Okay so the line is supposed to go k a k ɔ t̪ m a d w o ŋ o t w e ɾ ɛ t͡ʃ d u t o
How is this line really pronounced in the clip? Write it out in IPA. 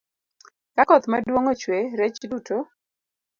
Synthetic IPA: k a k ɔ t̪ m a d w o ŋ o t͡ʃ w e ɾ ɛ t͡ʃ d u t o